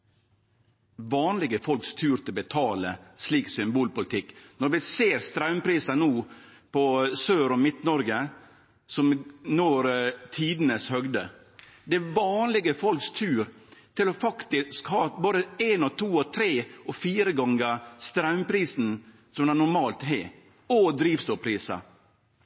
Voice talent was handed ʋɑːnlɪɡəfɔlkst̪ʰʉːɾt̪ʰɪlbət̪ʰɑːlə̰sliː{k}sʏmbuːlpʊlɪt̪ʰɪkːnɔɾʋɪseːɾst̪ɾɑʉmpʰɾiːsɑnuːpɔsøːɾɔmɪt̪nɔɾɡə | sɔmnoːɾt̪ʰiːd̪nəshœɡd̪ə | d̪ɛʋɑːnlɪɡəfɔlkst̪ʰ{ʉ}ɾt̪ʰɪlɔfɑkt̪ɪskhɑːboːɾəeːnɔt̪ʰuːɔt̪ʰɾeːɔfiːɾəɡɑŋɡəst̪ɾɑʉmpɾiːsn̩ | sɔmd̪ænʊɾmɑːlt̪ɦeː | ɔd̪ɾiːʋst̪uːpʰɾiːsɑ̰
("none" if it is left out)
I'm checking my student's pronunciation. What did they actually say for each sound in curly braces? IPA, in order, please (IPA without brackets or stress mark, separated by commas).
k, ʉː